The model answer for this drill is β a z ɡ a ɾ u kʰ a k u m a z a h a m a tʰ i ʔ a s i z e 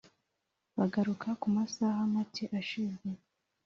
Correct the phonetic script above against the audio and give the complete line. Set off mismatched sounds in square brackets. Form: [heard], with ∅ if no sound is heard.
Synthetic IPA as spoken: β a [∅] ɡ a ɾ u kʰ a k u m a [s] a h a m a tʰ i ʔ a [ʃ] i z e